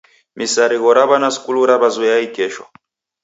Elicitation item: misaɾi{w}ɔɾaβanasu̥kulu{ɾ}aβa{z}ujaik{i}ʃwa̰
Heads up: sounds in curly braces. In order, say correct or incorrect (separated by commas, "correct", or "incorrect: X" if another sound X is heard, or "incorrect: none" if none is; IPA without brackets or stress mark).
incorrect: ɣ, correct, correct, incorrect: ɛ